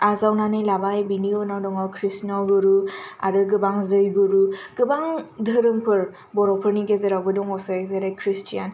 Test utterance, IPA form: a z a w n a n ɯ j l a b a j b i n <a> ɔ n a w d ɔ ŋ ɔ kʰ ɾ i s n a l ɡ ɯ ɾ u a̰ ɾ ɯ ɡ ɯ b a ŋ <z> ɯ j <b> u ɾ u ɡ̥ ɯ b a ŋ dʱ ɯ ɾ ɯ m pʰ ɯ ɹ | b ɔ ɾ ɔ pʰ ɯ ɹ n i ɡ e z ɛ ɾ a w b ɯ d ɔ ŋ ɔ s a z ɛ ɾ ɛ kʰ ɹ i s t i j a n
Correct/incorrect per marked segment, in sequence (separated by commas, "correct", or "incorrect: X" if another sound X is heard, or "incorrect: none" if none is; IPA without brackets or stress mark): incorrect: i, correct, incorrect: ɡ